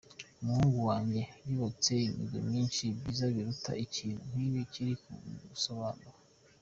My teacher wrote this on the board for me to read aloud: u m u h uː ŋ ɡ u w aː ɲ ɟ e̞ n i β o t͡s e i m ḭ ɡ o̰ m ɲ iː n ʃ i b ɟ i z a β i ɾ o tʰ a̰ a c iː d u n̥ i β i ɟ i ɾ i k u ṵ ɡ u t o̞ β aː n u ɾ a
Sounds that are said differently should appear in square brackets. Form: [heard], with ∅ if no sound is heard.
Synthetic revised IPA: u m u h uː ŋ ɡ u w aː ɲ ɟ e̞ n i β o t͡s e i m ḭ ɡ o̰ m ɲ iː n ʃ i b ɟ i z a β i ɾ [u] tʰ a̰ [i] c iː [n] u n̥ i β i [c] i ɾ i k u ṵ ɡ u [s] o̞ β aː n u ɾ a